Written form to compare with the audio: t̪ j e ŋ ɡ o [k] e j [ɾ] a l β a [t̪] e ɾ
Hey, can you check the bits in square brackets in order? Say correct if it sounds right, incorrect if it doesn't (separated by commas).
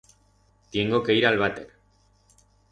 correct, correct, correct